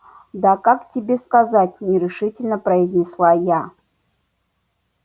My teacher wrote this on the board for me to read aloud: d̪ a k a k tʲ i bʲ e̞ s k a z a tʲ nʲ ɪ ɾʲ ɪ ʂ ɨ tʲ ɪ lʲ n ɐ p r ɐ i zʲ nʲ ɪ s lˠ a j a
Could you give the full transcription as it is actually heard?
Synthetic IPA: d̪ a k a k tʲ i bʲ e̞ s k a z a tʲ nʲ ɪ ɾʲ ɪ ʂ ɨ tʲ ɪ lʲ n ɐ p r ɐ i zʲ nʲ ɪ s lˠ a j a